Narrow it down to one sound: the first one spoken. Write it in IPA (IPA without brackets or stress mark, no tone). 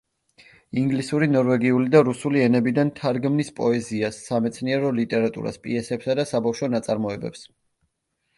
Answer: i